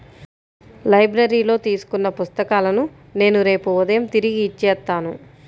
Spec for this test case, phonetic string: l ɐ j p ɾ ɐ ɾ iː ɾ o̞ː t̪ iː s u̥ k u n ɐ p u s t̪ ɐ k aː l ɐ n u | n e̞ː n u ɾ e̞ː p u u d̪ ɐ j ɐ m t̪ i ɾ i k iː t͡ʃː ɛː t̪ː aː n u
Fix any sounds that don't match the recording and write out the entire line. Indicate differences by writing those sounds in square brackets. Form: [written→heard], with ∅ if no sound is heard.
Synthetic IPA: l ɐ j [p→b] ɾ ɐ ɾ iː [ɾ→l] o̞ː t̪ iː s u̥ k u [n→nː] ɐ p u s t̪ ɐ k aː l ɐ n u | n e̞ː n u ɾ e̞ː p u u d̪ ɐ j ɐ m t̪ i ɾ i [k→ɡ] iː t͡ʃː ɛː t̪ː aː n u

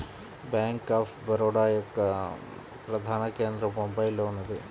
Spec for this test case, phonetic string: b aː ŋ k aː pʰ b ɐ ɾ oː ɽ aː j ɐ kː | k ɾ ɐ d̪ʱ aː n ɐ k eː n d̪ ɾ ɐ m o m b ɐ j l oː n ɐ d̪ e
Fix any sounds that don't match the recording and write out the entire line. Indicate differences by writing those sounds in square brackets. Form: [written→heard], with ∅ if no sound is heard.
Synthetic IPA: b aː ŋ k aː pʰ b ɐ ɾ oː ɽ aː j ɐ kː | [k→p] ɾ ɐ d̪ʱ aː n ɐ k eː n d̪ ɾ ɐ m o m b ɐ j l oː n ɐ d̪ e

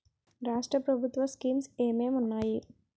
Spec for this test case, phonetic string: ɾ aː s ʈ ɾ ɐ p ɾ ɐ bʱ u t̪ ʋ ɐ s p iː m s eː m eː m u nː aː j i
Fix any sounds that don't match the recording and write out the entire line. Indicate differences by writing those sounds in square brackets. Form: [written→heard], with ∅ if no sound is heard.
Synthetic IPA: ɾ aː [s→ʂ] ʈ ɾ ɐ p ɾ ɐ bʱ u t̪ ʋ ɐ s [p→k] iː m s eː m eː m u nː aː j i

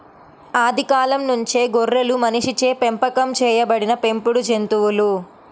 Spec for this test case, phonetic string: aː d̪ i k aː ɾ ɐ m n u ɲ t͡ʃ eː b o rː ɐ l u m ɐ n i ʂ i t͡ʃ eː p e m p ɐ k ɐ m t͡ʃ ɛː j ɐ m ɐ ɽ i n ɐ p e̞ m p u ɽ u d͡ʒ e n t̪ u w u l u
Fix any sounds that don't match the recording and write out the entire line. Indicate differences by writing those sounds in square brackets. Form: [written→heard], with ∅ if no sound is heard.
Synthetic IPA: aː d̪ i k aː [ɾ→l] ɐ m n u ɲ t͡ʃ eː [b→ɡ] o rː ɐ l u m ɐ n i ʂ i t͡ʃ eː p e m p ɐ k ɐ m t͡ʃ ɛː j ɐ [m→b] ɐ ɽ i n ɐ p e̞ m p u ɽ u d͡ʒ e n t̪ u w u l u

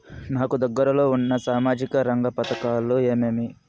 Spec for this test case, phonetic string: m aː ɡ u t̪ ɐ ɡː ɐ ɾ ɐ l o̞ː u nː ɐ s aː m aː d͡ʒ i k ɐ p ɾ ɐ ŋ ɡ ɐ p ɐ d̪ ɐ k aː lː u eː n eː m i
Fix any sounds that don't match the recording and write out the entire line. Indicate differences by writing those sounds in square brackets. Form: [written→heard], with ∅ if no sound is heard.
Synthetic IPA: [m→n] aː [ɡ→k] u [t̪→d̪] ɐ ɡː ɐ ɾ ɐ l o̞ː u nː ɐ s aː m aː d͡ʒ i k ɐ [p→∅] ɾ ɐ ŋ ɡ ɐ p ɐ [d̪→t̪] ɐ k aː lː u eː [n→m] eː m i

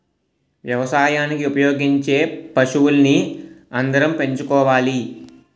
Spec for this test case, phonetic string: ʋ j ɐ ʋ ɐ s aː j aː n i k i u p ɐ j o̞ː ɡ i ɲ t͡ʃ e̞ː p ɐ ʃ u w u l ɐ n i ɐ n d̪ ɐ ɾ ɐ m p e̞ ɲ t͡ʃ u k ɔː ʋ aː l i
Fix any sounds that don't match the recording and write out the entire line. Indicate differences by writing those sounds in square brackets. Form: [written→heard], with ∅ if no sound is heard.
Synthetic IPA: ʋ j ɐ ʋ ɐ s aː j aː n i k i u p ɐ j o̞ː ɡ i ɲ t͡ʃ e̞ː p ɐ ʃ u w u l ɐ n i ɐ n d̪ ɐ ɾ ɐ m p e̞ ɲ t͡ʃ u k ɔː ʋ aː l i

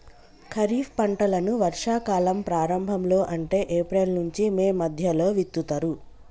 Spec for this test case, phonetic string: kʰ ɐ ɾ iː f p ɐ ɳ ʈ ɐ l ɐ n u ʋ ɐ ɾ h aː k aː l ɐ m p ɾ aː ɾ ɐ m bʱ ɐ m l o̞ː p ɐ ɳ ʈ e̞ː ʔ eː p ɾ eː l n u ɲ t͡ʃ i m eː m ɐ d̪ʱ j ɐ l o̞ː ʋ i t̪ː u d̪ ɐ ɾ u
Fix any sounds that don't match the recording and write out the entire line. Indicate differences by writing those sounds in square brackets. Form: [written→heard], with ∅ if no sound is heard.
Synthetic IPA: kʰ ɐ ɾ iː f p ɐ ɳ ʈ ɐ l ɐ n u ʋ ɐ ɾ [h→ʂ] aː k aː l ɐ m p ɾ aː ɾ ɐ m bʱ ɐ m l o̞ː [p→ʔ] ɐ ɳ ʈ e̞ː ʔ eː p ɾ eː l n u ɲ t͡ʃ i m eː m ɐ d̪ʱ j ɐ l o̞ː ʋ i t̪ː u [d̪→t̪] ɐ ɾ u

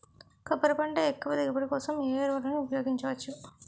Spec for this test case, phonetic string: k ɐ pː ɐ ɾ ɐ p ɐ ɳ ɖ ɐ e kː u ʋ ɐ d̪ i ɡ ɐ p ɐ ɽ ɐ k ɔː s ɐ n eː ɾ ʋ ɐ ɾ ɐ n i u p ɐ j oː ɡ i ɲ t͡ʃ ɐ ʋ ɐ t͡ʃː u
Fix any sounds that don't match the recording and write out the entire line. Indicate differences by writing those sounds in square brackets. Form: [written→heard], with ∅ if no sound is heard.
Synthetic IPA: k ɐ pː ɐ ɾ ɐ p ɐ ɳ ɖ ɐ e kː u ʋ ɐ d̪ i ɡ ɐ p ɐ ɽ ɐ k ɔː s ɐ [n→m] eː ɾ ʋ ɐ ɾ ɐ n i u p ɐ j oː ɡ i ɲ t͡ʃ ɐ ʋ ɐ t͡ʃː u

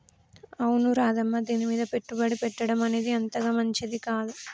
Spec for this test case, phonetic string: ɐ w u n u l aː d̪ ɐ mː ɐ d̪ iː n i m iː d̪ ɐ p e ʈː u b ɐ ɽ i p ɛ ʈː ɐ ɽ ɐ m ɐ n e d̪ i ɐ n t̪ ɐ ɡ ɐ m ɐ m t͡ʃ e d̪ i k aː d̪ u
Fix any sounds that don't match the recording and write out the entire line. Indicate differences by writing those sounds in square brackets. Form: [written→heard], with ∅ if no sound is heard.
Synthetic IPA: ɐ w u n u [l→ɾ] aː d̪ ɐ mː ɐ d̪ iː n i m iː d̪ ɐ p e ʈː u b ɐ ɽ i p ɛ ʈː ɐ ɽ ɐ m ɐ n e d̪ i ɐ n t̪ ɐ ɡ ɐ m ɐ [m→ɲ] t͡ʃ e d̪ i k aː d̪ u

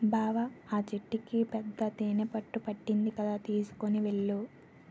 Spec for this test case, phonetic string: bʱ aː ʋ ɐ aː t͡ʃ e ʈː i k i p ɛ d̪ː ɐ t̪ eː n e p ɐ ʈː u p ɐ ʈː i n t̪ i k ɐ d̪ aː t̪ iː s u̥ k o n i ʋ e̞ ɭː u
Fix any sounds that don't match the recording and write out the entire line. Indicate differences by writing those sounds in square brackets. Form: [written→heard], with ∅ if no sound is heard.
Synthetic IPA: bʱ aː ʋ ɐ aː t͡ʃ e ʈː i k i p ɛ d̪ː ɐ t̪ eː n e p ɐ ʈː u p ɐ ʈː i n [t̪→d̪] i k ɐ d̪ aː t̪ iː s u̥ k o n i ʋ e̞ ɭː u

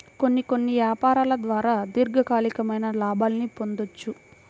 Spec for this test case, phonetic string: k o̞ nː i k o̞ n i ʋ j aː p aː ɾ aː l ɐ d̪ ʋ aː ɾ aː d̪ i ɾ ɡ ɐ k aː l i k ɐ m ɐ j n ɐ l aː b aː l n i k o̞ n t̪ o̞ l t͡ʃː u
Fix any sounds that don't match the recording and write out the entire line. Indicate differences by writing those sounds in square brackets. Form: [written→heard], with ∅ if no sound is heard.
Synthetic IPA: k o̞ nː i k o̞ [n→nː] i ʋ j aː p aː ɾ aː l ɐ d̪ ʋ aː ɾ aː d̪ i ɾ ɡ ɐ k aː l i k ɐ m ɐ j n ɐ l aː b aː l n i [k→p] o̞ n [t̪→d̪] o̞ [l→∅] t͡ʃː u

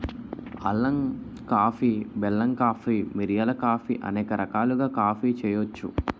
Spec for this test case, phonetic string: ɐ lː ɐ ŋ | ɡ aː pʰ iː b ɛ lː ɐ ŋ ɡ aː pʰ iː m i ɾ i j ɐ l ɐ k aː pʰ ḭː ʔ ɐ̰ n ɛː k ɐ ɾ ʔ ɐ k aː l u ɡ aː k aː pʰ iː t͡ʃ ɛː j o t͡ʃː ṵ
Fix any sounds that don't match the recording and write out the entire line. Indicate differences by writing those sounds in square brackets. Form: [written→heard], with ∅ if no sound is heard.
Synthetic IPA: ɐ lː ɐ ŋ | [ɡ→k] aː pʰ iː b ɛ lː ɐ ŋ [ɡ→k] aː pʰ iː m i ɾ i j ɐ l ɐ k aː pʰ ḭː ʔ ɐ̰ n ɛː k ɐ ɾ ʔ ɐ k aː l u ɡ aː k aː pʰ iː t͡ʃ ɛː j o t͡ʃː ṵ

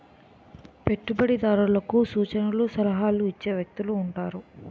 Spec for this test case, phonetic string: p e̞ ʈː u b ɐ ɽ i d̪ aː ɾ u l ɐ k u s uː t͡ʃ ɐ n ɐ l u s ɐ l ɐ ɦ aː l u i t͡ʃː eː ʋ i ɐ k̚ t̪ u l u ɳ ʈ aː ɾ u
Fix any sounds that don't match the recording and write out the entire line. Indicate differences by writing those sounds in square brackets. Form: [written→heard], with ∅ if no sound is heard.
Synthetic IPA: p e̞ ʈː u b ɐ ɽ i d̪ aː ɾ u l ɐ k u s uː t͡ʃ ɐ n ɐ l u s ɐ l ɐ ɦ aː l u i t͡ʃː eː ʋ [i→j] ɐ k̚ t̪ u l [u→uː] ɳ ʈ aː ɾ u

